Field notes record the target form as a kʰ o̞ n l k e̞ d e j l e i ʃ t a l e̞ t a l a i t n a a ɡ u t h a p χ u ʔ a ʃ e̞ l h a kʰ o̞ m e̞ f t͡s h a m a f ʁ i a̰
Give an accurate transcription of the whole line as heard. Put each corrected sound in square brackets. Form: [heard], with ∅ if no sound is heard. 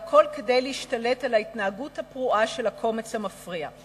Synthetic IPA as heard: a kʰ o̞ [∅] l k e̞ d e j l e i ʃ t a l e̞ t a l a i t n a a ɡ u t h a p [ʁ] u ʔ a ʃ e̞ l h a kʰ o̞ m e̞ [∅] t͡s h a m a f ʁ i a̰

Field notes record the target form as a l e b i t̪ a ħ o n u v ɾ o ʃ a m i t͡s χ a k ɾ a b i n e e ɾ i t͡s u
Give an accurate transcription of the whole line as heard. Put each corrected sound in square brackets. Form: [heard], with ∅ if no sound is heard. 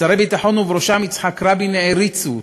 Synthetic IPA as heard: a [ɾ] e b i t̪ a ħ o n u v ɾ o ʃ a m i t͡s [ħ] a k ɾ a b i n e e ɾ i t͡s u

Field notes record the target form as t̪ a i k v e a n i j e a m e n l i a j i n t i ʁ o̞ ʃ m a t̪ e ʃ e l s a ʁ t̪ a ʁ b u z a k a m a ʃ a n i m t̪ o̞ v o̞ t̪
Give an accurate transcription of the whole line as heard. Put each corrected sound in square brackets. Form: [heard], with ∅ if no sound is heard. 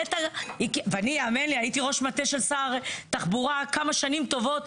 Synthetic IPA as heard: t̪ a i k v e a n i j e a m e n l i a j i [∅] t i ʁ o̞ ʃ m a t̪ e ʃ e l s a ʁ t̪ a [χ] b u [ʁ] a k a m a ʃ a n i m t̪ o̞ v o̞ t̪

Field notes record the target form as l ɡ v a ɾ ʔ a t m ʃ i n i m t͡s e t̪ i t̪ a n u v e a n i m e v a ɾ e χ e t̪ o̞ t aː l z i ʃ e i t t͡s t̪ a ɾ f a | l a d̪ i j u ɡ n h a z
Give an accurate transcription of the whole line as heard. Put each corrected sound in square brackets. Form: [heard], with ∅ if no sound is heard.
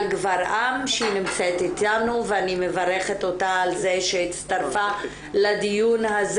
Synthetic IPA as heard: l ɡ v a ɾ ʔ a [∅] m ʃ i n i m t͡s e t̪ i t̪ a n u v e a n i m e v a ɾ e χ e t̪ o̞ t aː l z [e] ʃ e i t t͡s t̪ a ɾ f a | l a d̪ i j u [∅] n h a z

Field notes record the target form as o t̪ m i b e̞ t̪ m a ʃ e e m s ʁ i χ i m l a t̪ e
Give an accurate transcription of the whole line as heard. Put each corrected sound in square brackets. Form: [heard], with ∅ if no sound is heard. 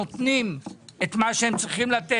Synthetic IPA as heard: o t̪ [n] i [m] e̞ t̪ m a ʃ e e m [t͡s] ʁ i χ i m l a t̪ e

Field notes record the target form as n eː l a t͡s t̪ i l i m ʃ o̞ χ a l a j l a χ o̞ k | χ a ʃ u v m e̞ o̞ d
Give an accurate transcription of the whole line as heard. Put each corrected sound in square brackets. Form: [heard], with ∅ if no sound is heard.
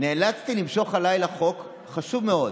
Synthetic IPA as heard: n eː l a t͡s t̪ i l i m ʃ o̞ χ a l a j l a χ o̞ k | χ a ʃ u v m e̞ o̞ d

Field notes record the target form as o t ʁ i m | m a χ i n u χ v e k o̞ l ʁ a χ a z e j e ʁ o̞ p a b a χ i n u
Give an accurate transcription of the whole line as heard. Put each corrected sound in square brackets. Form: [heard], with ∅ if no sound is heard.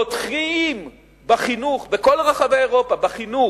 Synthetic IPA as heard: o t [χ] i m | [b] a χ i n u χ [b] e k o̞ l ʁ a χ a [v] e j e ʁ o̞ p a b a χ i n u

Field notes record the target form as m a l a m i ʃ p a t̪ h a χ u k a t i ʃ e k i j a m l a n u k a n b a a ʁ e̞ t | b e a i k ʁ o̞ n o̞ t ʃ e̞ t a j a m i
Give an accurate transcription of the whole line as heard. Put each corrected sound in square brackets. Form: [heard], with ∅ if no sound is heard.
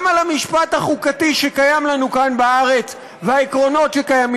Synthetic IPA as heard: m a l a m i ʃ p a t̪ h a χ u k a t i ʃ e k [a] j a m l a n u k a n b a a ʁ e̞ [t͡s] | [v] e a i k ʁ o̞ n o̞ t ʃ e̞ [k] a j a m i

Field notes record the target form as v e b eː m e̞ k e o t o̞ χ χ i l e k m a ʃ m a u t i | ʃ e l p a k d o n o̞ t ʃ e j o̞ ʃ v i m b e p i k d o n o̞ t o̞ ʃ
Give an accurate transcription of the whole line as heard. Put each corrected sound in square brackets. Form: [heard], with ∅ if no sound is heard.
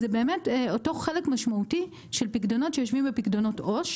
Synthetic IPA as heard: [z] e b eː m e̞ [t] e o t o̞ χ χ [e] l e k m a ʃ m a u t i | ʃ e l p [i] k d o n o̞ t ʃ e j o̞ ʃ v i m b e p i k d o n o̞ t o̞ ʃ

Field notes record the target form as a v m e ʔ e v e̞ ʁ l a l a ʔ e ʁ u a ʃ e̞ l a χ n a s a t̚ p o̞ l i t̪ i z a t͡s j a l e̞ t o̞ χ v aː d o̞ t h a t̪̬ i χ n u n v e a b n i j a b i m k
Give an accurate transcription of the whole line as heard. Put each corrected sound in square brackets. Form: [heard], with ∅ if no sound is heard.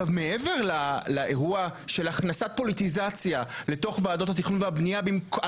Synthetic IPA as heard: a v m e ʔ e v e̞ ʁ l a l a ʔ e ʁ u a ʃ e̞ l a χ n a s a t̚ p o̞ l i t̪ i z a t͡s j a l e̞ t o̞ χ v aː d o̞ t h a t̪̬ i χ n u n v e a b n i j a b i m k

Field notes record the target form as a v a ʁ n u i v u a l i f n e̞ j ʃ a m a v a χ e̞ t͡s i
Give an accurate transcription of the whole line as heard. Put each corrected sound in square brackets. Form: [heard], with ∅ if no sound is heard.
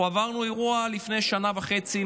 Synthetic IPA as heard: a v a ʁ n u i [ʁ] u a l i f n e̞ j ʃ a [n] a v a χ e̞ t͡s i

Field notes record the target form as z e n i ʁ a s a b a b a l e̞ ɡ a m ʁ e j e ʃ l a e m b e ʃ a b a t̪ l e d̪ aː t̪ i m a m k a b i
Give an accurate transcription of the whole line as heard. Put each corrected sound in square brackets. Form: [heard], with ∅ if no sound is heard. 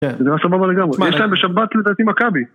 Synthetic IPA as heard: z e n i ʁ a s a b a b a l e̞ ɡ a m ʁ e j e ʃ l a e m b e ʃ a b a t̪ l e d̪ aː t̪ i m a [∅] k a b i

